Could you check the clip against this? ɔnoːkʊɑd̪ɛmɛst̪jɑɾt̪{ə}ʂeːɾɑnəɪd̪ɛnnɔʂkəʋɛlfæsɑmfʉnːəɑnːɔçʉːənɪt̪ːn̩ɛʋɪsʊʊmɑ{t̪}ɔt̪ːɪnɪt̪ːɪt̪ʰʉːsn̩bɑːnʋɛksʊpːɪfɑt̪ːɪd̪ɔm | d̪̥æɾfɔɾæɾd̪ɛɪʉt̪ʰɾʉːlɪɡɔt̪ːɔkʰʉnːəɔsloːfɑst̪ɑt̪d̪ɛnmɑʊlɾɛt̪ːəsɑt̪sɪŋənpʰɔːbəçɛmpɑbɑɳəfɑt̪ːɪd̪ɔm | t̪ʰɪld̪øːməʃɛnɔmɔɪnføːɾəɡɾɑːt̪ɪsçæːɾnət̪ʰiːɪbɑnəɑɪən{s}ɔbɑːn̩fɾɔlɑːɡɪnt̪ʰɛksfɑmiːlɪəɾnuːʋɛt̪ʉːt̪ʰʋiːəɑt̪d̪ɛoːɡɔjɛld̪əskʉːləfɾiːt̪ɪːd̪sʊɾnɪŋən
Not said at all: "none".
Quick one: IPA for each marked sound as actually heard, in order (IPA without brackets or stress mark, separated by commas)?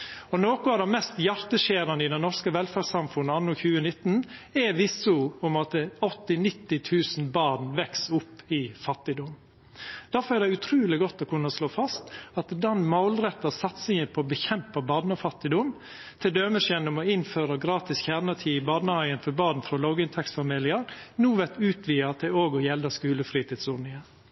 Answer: ə, t̪, f